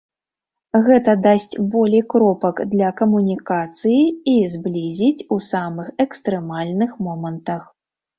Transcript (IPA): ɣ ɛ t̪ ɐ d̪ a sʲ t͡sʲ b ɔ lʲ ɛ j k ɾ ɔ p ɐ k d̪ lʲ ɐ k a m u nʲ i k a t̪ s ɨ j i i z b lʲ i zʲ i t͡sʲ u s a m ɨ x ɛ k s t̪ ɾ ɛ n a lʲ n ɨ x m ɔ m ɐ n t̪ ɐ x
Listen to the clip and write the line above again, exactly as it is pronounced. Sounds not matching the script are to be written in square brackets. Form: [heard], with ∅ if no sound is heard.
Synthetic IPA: ɣ ɛ t̪ ɐ d̪ a sʲ t͡sʲ b ɔ lʲ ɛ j k ɾ ɔ p ɐ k d̪ lʲ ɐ k [ɐ] m u nʲ i k a t̪ s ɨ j i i z b lʲ i zʲ i t͡sʲ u s a m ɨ x ɛ k s t̪ ɾ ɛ [m] a lʲ n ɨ x m ɔ m ɐ n t̪ ɐ x